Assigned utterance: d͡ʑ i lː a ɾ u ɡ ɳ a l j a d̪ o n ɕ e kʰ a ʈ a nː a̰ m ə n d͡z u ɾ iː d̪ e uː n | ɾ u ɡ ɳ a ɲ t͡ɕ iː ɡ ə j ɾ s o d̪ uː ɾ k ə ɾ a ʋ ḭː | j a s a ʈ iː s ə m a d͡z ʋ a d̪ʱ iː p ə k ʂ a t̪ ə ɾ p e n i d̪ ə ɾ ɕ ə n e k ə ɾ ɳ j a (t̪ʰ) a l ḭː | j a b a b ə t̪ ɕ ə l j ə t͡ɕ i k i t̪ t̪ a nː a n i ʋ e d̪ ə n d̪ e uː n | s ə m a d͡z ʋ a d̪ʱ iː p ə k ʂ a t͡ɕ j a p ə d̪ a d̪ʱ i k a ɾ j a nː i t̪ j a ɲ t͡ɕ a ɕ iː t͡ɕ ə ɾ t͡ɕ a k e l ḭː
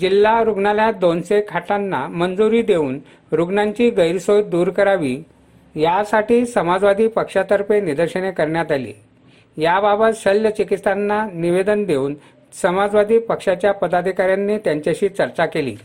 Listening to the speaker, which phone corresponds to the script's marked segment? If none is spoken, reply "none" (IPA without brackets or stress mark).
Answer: t̪